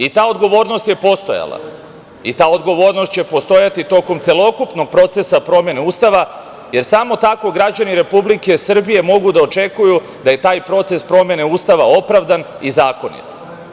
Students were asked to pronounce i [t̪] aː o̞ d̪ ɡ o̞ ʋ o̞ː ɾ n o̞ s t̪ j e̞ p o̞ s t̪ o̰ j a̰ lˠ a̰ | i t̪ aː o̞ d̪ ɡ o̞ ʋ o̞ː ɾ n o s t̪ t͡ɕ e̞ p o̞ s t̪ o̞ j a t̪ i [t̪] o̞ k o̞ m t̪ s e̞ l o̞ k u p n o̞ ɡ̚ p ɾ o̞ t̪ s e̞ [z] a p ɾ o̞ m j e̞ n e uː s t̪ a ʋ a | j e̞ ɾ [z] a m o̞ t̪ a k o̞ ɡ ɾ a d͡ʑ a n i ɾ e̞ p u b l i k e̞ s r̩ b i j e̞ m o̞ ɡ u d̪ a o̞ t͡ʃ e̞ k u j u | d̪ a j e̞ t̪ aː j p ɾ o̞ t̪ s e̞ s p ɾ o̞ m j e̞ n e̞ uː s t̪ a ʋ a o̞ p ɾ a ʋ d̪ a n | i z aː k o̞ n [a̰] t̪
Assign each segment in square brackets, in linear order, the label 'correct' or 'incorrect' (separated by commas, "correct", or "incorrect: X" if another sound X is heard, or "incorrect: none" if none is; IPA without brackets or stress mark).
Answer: correct, correct, incorrect: s, incorrect: s, incorrect: ḭ